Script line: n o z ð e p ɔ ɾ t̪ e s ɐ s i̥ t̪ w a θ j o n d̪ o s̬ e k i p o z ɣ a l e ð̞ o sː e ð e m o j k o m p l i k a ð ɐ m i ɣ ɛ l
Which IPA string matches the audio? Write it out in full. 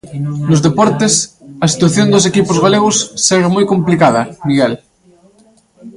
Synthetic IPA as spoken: n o z ð e p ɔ ɾ t̪ e s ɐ s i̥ t̪ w a θ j o n d̪ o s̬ e k i p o z ɣ a l e ɣ̞ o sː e ɣ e m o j k o m p l i k a ð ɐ m i ɣ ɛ l